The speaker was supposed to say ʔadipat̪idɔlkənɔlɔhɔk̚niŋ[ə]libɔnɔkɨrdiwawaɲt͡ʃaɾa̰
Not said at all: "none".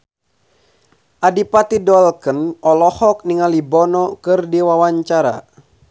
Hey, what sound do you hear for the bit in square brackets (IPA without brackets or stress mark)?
a